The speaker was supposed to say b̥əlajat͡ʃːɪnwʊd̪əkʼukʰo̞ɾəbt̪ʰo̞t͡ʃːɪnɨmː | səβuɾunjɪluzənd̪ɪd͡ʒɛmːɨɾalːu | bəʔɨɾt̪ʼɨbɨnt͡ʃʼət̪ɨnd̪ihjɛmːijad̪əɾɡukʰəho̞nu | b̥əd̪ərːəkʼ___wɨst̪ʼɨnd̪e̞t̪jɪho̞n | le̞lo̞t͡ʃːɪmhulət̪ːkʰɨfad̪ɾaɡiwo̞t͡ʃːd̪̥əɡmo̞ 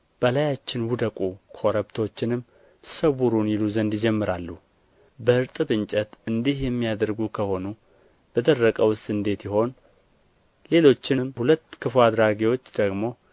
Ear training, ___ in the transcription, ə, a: ə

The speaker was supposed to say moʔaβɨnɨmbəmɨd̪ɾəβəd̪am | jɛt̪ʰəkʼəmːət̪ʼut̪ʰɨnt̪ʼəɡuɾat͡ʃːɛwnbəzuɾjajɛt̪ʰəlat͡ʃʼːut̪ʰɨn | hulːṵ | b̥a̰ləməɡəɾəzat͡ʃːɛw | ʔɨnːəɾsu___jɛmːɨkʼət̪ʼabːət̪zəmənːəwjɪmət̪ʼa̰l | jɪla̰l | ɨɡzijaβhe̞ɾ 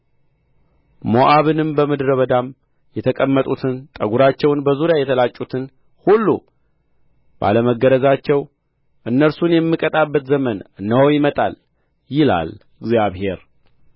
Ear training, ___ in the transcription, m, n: n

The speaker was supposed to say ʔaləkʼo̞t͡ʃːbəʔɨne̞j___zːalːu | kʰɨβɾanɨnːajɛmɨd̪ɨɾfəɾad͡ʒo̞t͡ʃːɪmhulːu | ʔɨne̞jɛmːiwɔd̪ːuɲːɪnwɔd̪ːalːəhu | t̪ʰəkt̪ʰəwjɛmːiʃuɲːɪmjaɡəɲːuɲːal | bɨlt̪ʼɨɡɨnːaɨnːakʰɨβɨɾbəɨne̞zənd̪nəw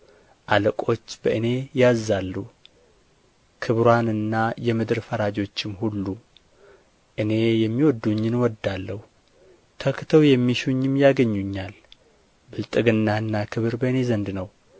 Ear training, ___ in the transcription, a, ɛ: a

